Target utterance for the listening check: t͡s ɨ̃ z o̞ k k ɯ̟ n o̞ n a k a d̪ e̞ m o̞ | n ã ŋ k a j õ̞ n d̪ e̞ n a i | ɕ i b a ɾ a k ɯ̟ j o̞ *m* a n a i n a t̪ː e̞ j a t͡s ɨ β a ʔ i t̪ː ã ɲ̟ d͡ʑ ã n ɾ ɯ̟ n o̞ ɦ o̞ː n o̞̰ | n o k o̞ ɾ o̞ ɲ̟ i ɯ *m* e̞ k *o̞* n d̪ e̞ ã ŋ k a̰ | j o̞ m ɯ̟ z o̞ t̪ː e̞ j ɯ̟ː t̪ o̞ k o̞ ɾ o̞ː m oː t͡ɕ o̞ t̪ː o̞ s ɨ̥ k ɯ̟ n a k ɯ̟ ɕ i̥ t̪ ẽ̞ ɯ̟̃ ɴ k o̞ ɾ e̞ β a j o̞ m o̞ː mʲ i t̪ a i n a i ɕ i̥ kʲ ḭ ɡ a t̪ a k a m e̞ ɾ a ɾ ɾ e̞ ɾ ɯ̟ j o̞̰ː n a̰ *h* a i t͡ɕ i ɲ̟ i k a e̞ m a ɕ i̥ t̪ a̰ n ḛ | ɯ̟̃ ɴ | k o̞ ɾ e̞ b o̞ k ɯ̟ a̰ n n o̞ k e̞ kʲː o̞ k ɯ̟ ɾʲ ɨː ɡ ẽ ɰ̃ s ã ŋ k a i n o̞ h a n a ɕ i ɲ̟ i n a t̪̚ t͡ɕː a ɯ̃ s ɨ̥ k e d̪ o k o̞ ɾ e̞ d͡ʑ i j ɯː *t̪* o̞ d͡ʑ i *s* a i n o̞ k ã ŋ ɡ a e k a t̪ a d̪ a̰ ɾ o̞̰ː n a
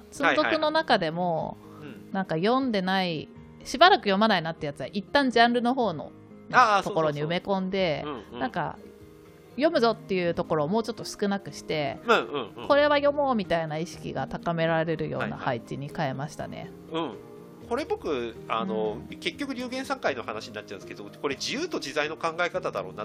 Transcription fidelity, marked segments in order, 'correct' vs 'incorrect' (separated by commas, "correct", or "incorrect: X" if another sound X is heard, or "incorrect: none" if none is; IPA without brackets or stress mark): correct, correct, incorrect: õ̞, correct, correct, incorrect: z